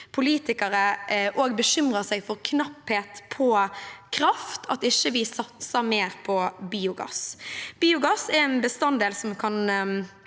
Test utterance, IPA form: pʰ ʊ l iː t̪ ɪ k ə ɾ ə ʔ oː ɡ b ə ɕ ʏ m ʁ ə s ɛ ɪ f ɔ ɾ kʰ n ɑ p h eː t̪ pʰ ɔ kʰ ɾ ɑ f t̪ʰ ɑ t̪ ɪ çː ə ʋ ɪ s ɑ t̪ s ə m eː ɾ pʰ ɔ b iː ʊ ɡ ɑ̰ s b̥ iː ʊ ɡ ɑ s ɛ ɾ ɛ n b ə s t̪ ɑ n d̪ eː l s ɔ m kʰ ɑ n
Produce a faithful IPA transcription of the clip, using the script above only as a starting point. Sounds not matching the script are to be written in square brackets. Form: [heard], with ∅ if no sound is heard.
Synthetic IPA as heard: pʰ ʊ l iː t̪ ɪ k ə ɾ ə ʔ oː ɡ b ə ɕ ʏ m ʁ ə s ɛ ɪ f ɔ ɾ kʰ n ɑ p h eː t̪ pʰ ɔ kʰ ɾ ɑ f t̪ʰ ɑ t̪ ɪ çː ə ʋ ɪ s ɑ t̪ s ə m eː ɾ pʰ ɔ b iː ʊ ɡ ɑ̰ s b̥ iː ʊ ɡ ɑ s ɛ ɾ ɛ n b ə s t̪ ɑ n d̪ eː l s ɔ m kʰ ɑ n